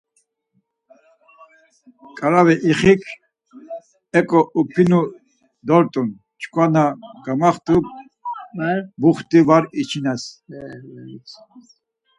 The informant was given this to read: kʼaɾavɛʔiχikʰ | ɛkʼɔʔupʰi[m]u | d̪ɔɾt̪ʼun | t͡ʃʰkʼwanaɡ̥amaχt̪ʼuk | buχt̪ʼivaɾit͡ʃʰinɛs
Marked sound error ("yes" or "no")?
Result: yes